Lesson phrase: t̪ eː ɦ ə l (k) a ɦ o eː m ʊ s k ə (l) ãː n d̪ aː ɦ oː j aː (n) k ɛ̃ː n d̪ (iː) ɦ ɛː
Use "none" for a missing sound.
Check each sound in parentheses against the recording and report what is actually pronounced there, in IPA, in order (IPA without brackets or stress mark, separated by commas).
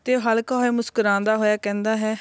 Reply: k, ɾ, none, aː